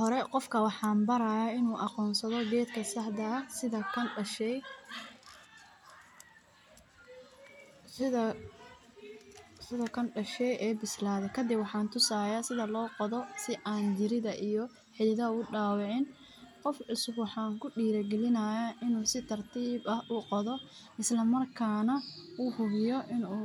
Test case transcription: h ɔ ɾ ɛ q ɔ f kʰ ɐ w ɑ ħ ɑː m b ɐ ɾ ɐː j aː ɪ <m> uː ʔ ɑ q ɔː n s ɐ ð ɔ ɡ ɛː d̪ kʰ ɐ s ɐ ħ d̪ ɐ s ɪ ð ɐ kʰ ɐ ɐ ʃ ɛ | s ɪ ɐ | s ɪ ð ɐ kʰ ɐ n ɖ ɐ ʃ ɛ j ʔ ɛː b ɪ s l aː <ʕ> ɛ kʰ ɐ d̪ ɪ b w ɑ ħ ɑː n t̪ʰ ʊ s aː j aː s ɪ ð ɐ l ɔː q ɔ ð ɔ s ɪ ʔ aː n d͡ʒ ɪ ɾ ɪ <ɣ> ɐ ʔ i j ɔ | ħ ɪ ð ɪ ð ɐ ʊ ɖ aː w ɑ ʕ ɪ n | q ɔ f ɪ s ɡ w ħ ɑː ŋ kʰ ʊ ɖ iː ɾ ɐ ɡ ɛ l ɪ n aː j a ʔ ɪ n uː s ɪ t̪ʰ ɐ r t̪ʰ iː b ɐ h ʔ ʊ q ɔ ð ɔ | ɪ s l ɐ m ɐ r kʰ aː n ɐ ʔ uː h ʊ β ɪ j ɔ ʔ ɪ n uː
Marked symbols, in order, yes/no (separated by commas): no, no, no